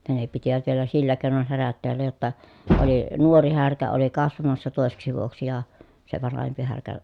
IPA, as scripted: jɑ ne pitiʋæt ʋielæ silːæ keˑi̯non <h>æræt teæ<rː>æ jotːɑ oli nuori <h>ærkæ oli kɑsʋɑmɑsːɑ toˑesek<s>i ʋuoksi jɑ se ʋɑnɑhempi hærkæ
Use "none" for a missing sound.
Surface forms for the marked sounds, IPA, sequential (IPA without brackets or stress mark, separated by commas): h, lː, h, s